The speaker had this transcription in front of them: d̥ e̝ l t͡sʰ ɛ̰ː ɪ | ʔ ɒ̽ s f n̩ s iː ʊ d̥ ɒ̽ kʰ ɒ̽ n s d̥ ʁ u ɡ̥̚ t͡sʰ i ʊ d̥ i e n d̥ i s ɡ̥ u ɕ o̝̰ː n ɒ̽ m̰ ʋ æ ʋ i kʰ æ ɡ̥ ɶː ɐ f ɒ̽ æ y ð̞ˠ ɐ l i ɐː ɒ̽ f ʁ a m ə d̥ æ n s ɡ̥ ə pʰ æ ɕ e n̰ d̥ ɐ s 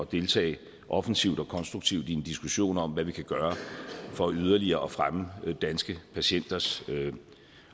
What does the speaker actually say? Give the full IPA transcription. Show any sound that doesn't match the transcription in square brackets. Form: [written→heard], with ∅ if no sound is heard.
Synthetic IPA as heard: d̥ e̝ l t͡sʰ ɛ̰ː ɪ | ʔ ɒ̽ [s→∅] f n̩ s [iː→i] ʊ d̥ ɒ̽ kʰ ɒ̽ n s d̥ ʁ u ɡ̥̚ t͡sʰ i ʊ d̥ i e n d̥ i s ɡ̥ u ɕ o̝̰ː n ɒ̽ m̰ ʋ æ ʋ i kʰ æ ɡ̥ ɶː ɐ f ɒ̽ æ y ð̞ˠ ɐ l i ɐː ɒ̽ f ʁ a m ə d̥ æ n s ɡ̥ ə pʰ æ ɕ e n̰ d̥ ɐ s

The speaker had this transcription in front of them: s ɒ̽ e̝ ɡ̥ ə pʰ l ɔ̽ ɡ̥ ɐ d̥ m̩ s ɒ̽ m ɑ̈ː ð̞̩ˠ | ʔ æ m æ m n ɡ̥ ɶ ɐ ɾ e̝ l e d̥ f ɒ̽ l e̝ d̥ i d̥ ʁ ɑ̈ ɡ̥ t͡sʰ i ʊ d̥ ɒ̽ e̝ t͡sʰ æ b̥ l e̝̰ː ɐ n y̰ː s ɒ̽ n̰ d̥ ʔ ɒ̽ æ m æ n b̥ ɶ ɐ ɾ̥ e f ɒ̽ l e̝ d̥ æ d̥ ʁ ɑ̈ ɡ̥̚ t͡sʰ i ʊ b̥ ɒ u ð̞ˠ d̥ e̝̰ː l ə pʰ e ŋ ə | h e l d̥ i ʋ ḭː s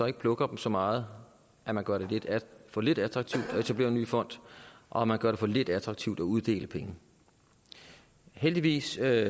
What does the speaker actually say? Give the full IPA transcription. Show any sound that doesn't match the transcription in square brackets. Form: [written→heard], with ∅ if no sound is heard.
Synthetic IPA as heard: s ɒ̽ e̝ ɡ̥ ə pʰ l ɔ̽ ɡ̥ ɐ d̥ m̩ s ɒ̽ m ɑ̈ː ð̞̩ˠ | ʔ æ m æ [m→∅] n ɡ̥ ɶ ɐ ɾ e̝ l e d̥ f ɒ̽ l e̝ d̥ [i→æ] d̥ ʁ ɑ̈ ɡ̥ t͡sʰ i ʊ d̥ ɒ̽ e̝ t͡sʰ æ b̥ l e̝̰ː ɐ n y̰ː [s→f] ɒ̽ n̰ d̥ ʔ ɒ̽ æ m æ n [b̥→ɡ̥] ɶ ɐ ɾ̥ e f ɒ̽ l e̝ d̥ æ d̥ ʁ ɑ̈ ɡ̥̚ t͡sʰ i ʊ [b̥→d̥] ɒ u ð̞ˠ d̥ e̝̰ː l ə pʰ e ŋ ə | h e l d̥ i ʋ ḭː s

